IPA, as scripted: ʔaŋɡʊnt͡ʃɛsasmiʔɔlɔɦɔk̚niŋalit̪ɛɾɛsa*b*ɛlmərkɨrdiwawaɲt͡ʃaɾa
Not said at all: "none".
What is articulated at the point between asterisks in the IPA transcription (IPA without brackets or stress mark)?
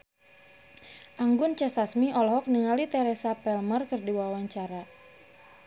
p